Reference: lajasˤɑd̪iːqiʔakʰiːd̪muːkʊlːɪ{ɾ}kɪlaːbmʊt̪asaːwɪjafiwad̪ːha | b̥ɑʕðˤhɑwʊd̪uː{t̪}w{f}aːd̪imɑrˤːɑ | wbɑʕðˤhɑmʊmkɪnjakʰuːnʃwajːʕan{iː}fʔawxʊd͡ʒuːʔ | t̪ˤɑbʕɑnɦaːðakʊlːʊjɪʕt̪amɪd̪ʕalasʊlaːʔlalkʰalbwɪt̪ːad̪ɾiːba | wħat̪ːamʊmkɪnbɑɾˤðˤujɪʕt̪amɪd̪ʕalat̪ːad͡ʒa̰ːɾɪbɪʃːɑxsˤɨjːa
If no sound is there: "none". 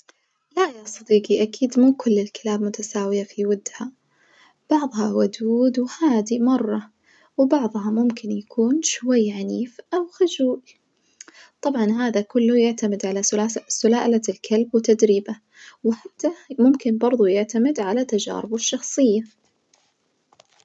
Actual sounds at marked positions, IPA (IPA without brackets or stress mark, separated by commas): l, d̪, h, iː